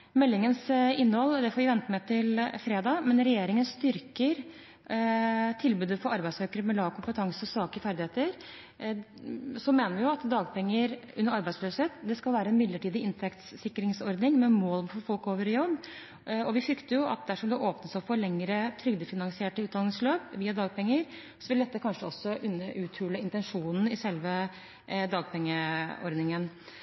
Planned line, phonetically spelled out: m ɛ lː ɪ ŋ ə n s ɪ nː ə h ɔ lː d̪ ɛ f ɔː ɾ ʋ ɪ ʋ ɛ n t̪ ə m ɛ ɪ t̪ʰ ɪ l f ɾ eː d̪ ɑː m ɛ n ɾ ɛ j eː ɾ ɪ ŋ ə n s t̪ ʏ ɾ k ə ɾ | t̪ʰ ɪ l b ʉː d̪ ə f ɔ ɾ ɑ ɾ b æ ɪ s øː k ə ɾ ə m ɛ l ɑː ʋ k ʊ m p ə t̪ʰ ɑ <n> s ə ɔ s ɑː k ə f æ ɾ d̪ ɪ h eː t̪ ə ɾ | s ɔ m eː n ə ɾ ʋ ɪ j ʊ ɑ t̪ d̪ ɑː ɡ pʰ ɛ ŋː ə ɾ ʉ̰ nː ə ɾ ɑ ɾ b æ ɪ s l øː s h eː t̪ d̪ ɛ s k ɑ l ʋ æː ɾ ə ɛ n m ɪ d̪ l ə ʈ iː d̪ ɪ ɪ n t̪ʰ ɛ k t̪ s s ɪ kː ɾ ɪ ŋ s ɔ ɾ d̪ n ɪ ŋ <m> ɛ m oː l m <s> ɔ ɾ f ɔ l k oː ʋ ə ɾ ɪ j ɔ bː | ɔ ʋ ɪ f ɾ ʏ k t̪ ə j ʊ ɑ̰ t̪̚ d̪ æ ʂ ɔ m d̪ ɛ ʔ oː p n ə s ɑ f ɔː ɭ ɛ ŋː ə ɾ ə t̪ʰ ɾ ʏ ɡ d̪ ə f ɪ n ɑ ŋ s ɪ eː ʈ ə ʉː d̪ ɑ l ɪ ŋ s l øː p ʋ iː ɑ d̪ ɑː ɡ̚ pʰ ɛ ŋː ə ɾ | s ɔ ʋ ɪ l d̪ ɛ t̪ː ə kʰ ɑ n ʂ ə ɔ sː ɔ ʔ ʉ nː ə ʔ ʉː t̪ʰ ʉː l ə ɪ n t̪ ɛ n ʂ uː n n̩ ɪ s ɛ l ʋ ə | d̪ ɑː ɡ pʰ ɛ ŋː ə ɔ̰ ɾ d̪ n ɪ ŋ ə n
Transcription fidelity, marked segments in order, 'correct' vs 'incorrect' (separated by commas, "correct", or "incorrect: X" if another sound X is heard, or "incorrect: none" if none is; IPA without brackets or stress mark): incorrect: ŋ, correct, incorrect: f